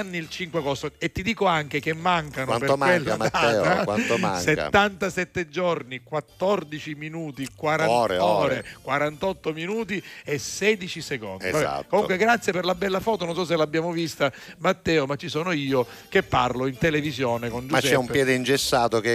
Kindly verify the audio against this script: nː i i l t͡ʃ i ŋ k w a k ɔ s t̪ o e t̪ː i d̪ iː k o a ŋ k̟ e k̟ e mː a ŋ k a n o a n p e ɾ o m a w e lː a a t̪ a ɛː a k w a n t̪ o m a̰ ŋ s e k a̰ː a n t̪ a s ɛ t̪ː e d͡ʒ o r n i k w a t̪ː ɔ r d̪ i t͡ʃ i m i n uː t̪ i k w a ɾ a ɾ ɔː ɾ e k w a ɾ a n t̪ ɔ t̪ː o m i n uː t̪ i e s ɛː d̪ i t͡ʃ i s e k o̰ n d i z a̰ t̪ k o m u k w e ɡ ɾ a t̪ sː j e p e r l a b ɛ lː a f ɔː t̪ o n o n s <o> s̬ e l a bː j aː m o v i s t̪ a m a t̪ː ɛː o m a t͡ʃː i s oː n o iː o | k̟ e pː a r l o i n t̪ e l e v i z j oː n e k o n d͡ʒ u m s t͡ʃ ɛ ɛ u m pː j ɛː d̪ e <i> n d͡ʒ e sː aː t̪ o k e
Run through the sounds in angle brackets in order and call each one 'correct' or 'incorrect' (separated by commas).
incorrect, correct